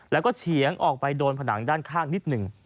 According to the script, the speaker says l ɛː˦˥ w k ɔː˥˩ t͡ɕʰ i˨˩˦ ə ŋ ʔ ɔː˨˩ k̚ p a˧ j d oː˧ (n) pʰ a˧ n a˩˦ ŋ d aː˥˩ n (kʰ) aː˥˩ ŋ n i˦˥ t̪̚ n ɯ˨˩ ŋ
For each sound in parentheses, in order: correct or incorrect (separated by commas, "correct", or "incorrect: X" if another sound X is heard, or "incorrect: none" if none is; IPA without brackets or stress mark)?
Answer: correct, correct